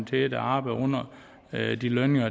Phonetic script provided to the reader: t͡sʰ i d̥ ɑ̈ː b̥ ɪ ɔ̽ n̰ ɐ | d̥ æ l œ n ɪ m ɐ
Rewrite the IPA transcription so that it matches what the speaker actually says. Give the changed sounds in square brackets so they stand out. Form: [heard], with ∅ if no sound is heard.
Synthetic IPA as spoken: t͡sʰ [e] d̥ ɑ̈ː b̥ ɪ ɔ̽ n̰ ɐ | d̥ [i] l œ n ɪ [ŋ] ɐ